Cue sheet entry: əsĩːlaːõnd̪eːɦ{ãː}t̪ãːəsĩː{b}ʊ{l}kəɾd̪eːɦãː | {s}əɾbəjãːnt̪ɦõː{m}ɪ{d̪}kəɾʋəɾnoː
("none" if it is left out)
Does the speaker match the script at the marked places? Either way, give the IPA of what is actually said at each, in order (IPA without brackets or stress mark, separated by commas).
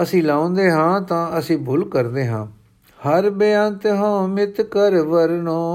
ãː, b, l, h, m, t̪